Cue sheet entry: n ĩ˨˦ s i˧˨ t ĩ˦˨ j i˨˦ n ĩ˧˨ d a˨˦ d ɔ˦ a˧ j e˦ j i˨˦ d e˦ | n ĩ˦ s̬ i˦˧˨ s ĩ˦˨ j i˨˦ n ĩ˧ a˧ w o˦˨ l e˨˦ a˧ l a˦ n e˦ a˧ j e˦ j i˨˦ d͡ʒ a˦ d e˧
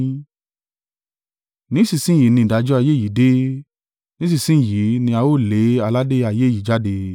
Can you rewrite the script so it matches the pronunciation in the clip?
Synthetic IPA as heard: n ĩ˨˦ s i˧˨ s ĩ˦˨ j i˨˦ n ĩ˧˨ d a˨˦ d͡ʒ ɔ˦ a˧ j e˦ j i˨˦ d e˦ | n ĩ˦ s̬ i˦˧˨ s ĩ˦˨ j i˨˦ n ĩ˧ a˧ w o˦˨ l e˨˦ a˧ l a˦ d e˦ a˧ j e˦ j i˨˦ d͡ʒ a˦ d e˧